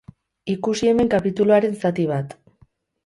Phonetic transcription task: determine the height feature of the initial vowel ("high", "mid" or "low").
high